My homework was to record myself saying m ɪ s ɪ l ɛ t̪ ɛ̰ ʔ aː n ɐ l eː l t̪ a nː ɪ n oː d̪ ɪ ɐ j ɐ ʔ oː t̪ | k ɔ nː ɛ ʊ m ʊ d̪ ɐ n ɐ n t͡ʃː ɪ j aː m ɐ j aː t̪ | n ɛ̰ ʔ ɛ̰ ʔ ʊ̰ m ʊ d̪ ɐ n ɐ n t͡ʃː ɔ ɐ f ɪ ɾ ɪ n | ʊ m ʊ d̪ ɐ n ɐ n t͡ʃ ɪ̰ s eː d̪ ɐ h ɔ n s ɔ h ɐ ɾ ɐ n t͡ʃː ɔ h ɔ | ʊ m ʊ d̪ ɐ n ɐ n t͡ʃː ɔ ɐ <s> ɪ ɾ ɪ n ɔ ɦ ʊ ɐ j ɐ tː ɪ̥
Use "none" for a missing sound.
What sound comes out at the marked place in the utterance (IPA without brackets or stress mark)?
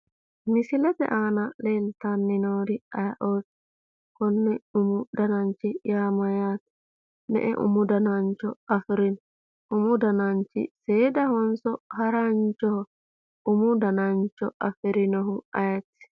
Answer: f